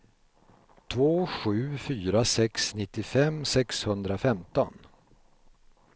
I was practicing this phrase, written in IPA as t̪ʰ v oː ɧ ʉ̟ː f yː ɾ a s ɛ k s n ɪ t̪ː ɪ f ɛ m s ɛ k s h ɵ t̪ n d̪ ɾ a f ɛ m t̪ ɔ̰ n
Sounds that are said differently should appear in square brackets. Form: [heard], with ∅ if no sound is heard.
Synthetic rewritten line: t̪ʰ v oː ɧ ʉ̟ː f yː ɾ a s ɛ k s n ɪ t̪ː ɪ f ɛ m s ɛ k s h ɵ [∅] n d̪ ɾ a f ɛ m t̪ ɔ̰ n